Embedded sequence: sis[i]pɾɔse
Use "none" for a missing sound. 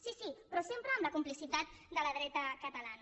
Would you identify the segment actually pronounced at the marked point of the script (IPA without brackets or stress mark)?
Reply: i